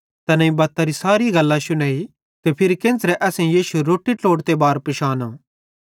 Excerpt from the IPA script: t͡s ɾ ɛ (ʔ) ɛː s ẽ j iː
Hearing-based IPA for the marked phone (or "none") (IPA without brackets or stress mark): ʔ